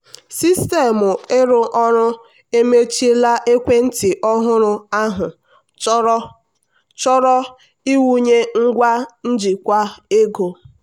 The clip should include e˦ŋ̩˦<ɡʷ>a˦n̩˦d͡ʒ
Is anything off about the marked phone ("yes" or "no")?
no